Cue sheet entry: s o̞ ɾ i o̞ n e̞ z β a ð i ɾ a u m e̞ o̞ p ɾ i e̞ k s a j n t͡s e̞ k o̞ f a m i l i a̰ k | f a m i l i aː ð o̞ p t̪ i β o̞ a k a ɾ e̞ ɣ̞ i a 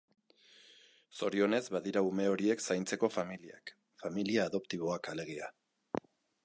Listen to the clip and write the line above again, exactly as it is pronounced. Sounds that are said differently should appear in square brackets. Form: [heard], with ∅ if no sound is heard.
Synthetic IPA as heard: s o̞ ɾ i o̞ n e̞ z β a ð i ɾ a u m e̞ o̞ [∅] ɾ i e̞ k s a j n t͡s e̞ k o̞ f a m i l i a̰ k | f a m i l i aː ð o̞ p t̪ i β o̞ a k a [l] e̞ ɣ̞ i a